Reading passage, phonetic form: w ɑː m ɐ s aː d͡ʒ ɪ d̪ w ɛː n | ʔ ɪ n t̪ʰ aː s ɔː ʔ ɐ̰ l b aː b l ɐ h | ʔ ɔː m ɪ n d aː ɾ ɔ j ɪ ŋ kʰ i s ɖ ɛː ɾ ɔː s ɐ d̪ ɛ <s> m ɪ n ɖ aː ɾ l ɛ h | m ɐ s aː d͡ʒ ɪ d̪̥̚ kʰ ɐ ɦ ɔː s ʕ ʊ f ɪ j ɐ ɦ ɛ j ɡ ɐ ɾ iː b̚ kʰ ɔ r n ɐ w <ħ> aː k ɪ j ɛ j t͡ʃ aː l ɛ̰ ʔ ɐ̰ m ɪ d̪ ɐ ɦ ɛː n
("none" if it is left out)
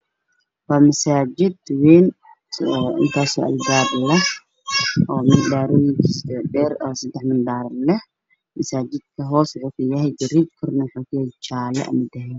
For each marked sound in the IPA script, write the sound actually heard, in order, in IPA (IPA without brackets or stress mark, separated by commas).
ħ, ħ